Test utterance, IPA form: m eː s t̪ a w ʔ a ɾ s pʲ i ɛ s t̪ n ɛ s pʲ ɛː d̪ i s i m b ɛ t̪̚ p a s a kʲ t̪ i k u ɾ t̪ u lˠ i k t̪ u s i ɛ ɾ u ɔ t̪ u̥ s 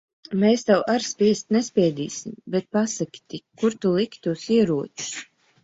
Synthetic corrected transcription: m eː s t̪ a w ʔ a ɾ s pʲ i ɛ s t̪ n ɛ s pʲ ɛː d̪ iː s i m b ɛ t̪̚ p a s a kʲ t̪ i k u ɾ t̪ u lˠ i k t̪ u s i ɛ ɾ u ɔ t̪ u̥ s